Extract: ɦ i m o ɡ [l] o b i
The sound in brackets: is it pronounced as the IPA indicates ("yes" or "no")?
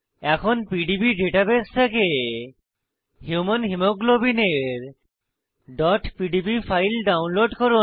yes